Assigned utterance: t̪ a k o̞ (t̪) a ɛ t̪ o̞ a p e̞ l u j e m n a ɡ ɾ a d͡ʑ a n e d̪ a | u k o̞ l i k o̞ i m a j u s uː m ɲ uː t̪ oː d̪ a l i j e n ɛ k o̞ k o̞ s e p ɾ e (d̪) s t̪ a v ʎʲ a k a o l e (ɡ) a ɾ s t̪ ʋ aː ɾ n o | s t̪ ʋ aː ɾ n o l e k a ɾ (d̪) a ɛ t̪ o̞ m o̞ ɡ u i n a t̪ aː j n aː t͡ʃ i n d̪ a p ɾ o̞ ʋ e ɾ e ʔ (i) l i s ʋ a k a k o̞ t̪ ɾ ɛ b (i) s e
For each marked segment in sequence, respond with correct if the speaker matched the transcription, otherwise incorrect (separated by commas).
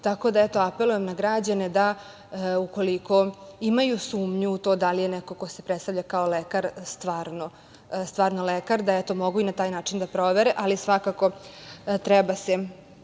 incorrect, incorrect, incorrect, correct, incorrect, incorrect